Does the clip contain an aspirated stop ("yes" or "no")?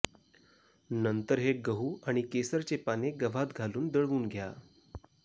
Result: no